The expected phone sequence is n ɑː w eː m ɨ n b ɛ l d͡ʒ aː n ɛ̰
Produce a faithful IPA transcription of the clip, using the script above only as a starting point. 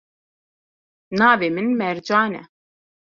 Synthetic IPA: n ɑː v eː m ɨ n m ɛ ɾ d͡ʒ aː n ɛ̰

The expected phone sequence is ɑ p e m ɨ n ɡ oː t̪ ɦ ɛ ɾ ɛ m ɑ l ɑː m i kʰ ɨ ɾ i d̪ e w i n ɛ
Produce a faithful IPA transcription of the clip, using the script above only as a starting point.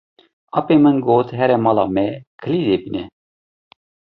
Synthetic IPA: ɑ p e m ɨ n ɡ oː t̪ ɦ ɛ ɾ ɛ m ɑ l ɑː m ɛ kʰ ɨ l i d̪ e b i n ɛ

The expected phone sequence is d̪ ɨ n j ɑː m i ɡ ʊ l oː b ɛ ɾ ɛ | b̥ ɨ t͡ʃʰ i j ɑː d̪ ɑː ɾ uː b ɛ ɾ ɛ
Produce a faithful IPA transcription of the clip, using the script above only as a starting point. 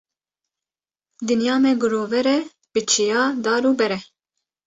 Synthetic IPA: d̪ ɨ n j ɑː m ɛ ɡ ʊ ɾ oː v ɛ ɾ ɛ | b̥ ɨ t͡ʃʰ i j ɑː d̪ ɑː ɾ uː b ɛ ɾ ɛ

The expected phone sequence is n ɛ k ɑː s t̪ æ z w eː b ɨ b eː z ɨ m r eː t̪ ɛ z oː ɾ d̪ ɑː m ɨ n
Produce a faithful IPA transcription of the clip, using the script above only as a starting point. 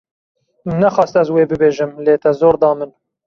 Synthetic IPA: n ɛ x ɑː s t̪ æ z w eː b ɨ b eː ʒ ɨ m l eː t̪ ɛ z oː ɾ d̪ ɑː m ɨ n

